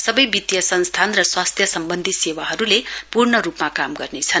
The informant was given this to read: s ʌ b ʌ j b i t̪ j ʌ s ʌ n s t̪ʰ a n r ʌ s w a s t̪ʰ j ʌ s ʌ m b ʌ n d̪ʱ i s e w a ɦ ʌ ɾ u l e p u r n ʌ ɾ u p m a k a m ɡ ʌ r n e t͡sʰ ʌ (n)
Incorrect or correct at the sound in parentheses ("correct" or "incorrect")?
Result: correct